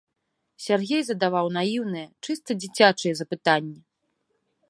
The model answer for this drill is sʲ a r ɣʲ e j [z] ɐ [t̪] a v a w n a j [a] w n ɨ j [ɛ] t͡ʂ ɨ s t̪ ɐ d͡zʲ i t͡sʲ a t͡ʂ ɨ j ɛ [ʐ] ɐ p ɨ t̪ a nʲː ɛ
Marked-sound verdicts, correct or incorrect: correct, incorrect, incorrect, correct, incorrect

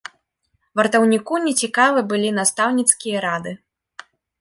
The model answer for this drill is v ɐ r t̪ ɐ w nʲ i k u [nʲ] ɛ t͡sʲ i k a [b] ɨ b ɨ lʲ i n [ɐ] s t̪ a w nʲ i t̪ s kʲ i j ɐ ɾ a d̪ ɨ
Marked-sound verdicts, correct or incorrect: correct, incorrect, incorrect

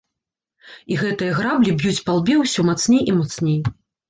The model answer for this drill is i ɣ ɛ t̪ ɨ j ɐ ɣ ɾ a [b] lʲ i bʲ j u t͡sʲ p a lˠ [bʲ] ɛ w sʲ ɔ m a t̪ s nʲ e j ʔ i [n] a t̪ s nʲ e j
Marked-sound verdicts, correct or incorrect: correct, correct, incorrect

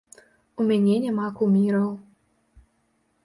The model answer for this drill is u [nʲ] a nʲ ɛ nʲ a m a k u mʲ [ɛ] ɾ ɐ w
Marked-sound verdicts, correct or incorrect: incorrect, incorrect

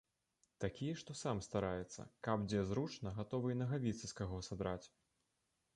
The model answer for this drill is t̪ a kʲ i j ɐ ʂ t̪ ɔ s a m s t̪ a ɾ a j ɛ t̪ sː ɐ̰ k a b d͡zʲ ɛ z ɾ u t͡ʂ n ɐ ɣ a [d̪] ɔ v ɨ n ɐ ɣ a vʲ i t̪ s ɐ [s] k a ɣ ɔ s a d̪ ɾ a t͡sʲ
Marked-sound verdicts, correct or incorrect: incorrect, correct

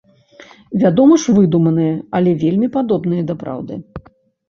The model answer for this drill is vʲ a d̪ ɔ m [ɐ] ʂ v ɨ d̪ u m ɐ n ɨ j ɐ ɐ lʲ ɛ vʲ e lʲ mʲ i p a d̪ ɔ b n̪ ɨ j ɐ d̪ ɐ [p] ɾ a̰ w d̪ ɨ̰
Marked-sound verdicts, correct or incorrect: correct, correct

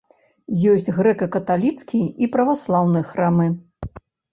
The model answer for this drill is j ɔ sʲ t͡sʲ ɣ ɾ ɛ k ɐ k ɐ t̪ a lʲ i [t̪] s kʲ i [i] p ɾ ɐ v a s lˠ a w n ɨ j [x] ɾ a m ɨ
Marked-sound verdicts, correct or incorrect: correct, correct, correct

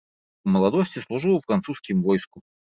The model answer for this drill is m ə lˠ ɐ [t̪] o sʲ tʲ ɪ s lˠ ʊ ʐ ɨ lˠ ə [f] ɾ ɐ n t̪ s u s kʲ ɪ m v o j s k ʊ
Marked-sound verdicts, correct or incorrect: incorrect, correct

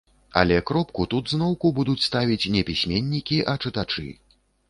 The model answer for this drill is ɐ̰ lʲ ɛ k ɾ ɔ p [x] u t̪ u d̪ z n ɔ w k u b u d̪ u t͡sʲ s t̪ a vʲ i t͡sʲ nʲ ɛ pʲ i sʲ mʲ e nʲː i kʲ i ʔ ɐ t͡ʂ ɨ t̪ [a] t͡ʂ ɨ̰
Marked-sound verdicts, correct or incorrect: incorrect, correct

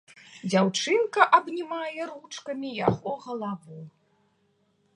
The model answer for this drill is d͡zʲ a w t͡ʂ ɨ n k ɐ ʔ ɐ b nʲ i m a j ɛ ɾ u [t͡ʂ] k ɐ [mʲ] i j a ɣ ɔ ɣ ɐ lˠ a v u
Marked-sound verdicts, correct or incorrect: correct, correct

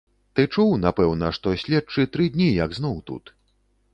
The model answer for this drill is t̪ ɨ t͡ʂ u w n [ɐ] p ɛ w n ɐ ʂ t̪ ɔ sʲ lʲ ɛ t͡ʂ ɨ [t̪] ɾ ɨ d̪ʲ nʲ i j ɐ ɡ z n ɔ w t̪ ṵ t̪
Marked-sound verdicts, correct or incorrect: incorrect, correct

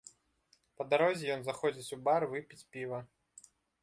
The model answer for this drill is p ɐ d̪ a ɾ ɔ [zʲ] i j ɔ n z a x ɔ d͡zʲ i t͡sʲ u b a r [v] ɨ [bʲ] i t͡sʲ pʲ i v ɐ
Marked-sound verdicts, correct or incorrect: correct, correct, incorrect

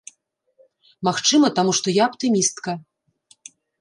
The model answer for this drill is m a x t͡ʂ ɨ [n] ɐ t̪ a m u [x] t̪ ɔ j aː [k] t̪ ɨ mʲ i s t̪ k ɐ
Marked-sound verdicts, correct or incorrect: incorrect, incorrect, incorrect

